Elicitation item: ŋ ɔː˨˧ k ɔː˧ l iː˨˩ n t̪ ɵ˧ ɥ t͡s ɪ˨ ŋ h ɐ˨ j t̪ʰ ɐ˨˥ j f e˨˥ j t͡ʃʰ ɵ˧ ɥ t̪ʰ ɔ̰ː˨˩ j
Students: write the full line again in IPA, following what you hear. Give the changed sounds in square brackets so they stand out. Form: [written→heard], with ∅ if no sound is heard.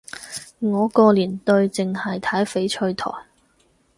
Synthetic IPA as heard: ŋ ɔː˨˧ k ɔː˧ l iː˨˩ n t̪ ɵ˧ ɥ t͡s ɪ˨ ŋ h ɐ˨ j t̪ʰ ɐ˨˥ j f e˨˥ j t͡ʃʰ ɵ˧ ɥ t̪ʰ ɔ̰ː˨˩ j